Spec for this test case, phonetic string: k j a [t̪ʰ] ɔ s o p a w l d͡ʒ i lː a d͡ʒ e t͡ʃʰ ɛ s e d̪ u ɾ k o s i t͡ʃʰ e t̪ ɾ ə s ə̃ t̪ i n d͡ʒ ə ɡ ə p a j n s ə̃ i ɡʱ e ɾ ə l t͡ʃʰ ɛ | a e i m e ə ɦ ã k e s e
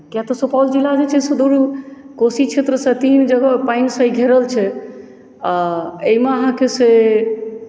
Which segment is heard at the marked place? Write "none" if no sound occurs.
t̪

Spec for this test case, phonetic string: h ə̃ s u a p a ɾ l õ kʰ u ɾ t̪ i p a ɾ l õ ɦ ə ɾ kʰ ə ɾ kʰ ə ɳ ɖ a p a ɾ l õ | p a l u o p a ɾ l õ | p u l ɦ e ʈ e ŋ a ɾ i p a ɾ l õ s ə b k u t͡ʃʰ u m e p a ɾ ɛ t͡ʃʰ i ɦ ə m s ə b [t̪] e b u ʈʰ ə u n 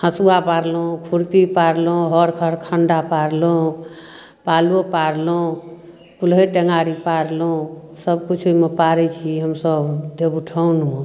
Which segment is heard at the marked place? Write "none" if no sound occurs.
d̪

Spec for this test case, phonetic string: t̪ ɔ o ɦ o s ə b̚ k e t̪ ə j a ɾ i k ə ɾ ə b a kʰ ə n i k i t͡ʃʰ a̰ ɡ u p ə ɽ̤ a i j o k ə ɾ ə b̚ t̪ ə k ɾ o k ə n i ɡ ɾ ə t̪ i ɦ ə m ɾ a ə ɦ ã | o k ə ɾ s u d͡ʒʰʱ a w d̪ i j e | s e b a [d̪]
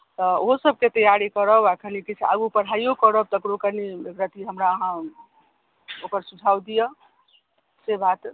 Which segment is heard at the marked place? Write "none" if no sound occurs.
t̪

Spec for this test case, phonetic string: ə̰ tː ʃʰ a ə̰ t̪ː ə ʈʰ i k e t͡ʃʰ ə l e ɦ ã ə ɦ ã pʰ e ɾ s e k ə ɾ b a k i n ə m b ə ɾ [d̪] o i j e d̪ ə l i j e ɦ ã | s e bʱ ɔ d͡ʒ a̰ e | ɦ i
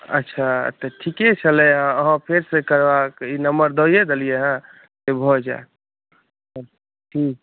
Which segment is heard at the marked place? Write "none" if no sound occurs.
d̪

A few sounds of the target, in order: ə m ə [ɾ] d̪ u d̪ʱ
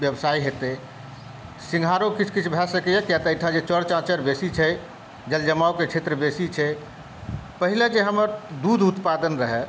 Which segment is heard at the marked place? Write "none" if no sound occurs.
ɾ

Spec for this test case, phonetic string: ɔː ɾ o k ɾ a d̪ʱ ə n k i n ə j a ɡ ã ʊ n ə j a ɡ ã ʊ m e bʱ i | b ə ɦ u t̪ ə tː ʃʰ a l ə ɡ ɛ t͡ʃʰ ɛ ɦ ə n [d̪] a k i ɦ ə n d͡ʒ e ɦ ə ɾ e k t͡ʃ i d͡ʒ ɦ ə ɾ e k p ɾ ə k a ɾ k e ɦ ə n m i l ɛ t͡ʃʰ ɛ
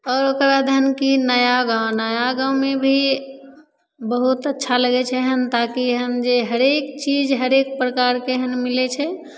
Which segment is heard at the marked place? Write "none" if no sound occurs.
t̪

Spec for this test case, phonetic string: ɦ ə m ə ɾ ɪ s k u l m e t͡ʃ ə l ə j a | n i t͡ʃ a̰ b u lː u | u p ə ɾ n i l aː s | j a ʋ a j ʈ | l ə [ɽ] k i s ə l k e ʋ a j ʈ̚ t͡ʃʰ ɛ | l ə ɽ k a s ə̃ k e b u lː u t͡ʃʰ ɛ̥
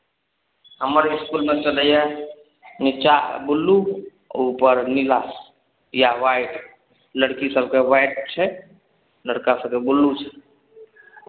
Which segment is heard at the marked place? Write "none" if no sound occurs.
ɽ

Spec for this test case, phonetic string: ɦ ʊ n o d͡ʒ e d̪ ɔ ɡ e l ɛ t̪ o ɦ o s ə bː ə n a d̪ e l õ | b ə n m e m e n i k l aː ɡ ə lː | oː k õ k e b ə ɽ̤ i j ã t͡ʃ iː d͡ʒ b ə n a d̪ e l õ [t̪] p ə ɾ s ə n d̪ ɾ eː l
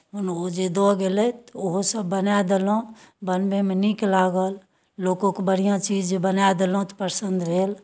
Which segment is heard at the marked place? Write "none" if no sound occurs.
t̪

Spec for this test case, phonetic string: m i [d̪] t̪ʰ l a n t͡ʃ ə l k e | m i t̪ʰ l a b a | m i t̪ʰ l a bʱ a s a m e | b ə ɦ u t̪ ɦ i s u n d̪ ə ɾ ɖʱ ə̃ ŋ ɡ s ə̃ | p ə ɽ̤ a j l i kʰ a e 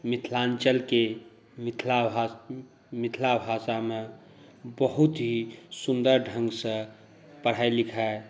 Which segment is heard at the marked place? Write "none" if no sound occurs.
none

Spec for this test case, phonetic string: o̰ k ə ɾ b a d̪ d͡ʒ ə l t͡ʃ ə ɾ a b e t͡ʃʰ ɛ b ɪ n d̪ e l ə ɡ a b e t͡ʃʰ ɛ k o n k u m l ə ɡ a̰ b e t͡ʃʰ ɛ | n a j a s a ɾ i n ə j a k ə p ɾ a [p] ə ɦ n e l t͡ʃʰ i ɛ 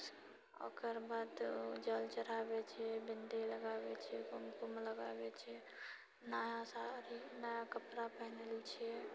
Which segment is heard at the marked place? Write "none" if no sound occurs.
p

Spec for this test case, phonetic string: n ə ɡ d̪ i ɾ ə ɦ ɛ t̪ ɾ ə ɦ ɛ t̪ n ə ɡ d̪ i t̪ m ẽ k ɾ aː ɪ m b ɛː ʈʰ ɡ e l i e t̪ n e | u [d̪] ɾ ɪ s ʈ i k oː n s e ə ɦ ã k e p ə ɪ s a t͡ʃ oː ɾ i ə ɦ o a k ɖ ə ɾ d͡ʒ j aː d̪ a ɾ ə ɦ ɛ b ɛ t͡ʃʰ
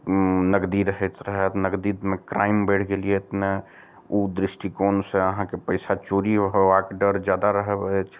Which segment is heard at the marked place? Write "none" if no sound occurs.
d̪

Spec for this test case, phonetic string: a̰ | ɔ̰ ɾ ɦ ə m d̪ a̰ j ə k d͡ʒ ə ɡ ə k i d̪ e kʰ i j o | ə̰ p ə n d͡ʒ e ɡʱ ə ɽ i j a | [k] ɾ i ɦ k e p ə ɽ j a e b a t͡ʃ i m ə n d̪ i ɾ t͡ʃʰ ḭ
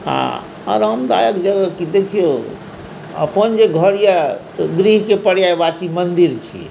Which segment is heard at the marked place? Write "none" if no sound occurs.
ɡ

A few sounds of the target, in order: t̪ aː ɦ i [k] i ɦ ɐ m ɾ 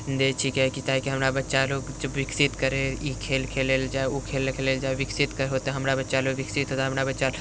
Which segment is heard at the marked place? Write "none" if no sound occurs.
k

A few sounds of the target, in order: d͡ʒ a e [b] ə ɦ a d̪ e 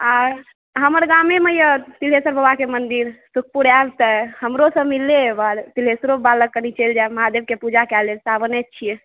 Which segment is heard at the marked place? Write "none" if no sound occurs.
m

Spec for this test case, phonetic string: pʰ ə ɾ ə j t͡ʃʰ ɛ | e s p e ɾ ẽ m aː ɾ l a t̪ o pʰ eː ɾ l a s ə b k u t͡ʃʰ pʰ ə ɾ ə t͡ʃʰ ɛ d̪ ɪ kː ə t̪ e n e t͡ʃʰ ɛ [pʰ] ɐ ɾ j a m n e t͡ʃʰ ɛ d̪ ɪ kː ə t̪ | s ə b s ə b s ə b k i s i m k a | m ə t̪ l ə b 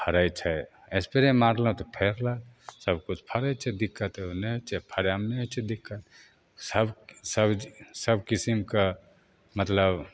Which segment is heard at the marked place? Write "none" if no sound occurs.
pʰ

